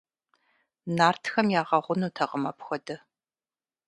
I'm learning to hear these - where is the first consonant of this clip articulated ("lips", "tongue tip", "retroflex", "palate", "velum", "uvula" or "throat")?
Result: tongue tip